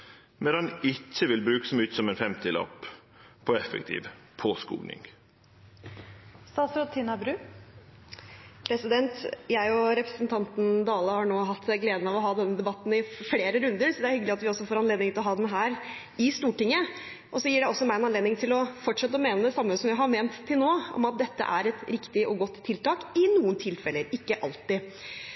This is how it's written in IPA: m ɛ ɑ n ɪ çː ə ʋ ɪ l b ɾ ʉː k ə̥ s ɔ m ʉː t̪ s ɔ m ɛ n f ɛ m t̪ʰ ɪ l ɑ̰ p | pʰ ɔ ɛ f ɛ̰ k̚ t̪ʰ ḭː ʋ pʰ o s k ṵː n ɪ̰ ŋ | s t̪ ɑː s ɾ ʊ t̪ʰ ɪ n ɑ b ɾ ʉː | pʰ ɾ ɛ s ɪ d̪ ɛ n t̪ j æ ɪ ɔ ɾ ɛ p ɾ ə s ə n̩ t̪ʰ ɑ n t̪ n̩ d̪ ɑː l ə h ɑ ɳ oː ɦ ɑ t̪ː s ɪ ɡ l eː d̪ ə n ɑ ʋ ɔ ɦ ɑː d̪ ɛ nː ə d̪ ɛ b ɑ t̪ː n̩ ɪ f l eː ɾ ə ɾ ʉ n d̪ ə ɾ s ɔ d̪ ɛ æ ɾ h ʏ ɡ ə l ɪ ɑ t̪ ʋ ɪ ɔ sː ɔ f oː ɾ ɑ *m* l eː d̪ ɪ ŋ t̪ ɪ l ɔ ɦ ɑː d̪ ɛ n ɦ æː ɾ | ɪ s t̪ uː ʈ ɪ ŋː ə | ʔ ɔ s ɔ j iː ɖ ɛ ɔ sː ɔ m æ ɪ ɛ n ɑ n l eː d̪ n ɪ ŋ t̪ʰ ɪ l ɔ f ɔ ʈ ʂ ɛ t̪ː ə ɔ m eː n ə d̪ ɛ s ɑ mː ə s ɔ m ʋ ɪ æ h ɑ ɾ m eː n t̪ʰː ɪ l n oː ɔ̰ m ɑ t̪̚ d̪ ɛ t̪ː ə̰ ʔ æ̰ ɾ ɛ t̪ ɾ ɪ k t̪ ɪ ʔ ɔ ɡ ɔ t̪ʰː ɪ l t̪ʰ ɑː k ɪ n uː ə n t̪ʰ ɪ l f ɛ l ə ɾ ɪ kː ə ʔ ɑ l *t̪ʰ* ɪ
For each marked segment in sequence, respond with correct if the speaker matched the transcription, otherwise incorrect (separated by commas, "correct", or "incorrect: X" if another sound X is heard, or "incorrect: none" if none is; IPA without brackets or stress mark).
incorrect: n, incorrect: t̪